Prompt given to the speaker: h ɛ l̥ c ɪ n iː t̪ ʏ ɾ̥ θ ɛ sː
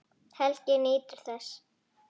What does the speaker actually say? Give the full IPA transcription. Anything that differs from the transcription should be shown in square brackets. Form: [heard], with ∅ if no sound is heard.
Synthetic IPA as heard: h ɛ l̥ c ɪ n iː t̪ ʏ ɾ̥ θ ɛ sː